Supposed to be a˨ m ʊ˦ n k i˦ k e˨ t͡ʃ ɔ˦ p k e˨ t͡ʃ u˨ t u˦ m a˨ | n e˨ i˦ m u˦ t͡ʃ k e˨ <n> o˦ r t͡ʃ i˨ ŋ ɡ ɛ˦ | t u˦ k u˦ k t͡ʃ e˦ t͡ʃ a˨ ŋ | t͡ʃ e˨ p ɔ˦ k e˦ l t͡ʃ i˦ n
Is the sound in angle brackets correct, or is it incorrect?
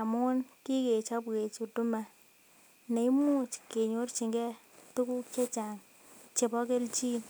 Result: incorrect